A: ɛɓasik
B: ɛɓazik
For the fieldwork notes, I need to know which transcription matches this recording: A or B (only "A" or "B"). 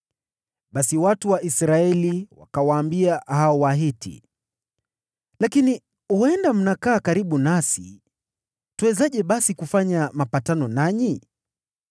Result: A